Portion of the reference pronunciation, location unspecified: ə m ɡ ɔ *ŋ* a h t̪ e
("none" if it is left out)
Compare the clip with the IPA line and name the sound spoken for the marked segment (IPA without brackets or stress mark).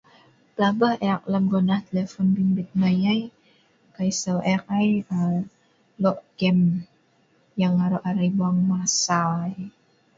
n